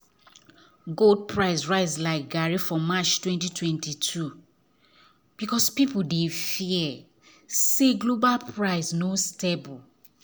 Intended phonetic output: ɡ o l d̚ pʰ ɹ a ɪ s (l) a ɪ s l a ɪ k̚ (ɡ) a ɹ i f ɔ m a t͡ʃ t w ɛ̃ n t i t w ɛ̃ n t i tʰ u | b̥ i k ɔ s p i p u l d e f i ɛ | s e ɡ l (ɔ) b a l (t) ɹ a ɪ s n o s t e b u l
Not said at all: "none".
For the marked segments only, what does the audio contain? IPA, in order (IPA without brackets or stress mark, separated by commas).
ɹ, ɡ, o, p